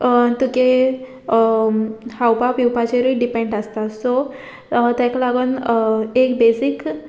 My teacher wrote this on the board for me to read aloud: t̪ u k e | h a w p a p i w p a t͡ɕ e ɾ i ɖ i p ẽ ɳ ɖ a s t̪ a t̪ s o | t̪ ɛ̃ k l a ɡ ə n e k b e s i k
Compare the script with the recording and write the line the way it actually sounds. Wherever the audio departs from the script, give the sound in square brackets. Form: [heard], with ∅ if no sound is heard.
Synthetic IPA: t̪ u k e | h a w p a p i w p a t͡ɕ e ɾ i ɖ i p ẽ ɳ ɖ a s t̪ a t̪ s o | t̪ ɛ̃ k l a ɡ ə n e k b e s i k